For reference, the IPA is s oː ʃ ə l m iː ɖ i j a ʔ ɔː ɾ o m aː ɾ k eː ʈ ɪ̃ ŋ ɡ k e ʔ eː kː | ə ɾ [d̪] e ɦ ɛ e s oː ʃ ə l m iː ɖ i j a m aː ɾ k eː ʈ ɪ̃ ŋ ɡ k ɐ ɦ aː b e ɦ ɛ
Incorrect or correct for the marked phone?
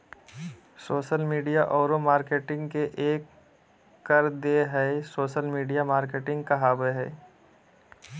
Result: correct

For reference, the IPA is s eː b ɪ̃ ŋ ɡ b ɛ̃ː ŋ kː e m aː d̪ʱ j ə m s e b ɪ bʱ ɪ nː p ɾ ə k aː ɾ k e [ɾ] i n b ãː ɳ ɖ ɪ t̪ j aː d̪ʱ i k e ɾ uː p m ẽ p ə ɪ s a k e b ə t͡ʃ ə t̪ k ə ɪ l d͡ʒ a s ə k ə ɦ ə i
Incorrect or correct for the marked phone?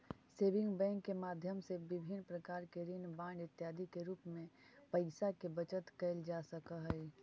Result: correct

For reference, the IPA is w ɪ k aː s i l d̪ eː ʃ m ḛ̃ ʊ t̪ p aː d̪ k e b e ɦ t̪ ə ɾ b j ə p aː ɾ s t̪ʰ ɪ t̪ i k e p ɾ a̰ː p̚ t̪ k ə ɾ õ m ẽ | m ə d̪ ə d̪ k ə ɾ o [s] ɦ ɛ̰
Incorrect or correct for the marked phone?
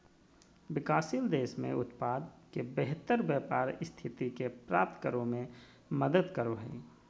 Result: incorrect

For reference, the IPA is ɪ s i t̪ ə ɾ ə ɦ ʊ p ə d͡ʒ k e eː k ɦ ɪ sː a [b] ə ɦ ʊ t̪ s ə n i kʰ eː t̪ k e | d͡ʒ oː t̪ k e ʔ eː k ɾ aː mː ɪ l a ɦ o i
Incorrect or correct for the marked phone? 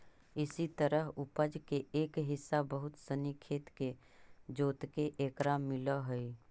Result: correct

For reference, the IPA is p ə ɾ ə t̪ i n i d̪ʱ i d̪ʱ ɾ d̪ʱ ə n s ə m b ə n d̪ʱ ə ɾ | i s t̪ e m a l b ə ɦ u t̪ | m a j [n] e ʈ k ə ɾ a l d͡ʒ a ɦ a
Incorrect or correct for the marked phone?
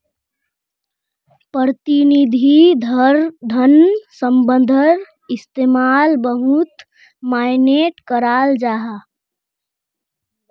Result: correct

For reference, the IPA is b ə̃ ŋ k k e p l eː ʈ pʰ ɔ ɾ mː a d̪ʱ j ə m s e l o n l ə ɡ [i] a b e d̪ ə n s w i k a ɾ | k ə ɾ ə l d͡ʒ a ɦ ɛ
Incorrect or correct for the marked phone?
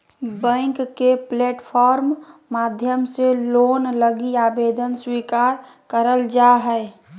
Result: correct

